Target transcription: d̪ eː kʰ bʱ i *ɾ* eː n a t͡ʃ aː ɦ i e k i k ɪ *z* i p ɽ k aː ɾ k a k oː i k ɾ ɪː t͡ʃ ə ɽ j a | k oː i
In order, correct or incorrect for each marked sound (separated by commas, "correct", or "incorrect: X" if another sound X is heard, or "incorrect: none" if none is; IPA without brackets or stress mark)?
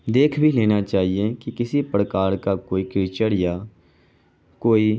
incorrect: l, incorrect: s